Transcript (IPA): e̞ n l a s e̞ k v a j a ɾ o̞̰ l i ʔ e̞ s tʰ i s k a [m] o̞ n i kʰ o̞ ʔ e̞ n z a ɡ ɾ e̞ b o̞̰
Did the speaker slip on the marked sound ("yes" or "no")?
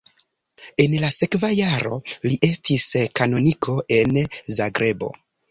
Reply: yes